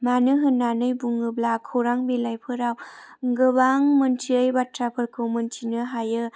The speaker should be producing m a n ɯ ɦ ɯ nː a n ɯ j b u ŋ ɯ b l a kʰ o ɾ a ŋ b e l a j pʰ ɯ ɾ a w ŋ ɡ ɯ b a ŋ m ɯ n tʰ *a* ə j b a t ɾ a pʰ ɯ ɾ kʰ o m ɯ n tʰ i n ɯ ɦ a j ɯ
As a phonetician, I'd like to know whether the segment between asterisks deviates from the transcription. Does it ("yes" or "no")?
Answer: yes